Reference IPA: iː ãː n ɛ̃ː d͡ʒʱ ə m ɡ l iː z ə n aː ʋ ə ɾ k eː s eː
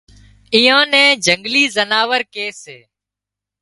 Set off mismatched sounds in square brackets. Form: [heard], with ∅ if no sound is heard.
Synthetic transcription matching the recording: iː ãː n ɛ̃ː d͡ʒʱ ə [ŋ] ɡ l iː z ə n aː ʋ ə ɾ k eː s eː